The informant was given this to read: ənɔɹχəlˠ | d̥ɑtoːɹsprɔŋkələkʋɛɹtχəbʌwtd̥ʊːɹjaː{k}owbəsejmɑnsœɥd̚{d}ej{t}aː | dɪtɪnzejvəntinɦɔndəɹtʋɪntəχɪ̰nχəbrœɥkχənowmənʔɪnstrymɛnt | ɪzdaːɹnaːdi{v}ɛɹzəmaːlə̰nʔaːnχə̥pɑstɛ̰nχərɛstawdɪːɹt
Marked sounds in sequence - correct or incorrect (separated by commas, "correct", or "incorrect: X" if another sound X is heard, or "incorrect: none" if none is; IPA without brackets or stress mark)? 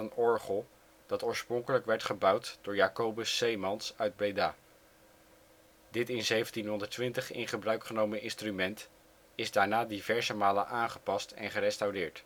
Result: correct, incorrect: b, incorrect: d, correct